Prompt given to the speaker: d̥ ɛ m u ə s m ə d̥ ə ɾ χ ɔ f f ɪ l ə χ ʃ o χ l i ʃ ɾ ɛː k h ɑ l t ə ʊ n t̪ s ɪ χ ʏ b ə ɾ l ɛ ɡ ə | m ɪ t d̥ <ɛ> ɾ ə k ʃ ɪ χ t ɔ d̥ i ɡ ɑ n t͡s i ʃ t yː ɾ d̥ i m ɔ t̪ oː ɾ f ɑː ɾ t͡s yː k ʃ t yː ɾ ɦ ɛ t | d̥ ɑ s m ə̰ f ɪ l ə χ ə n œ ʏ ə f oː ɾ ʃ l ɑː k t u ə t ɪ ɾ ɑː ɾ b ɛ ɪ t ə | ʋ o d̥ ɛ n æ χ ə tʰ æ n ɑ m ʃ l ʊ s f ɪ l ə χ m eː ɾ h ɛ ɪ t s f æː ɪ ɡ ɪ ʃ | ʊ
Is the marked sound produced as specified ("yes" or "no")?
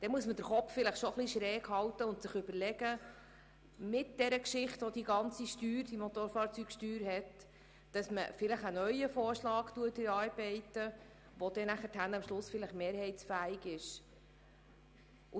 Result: yes